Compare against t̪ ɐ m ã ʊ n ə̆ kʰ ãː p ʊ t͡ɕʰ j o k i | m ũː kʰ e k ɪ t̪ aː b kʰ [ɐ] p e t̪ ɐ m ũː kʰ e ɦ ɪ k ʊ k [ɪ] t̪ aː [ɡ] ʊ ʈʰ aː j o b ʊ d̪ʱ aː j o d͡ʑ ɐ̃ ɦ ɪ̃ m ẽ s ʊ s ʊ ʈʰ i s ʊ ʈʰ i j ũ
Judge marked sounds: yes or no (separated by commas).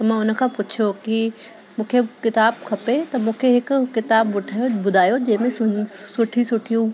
yes, yes, no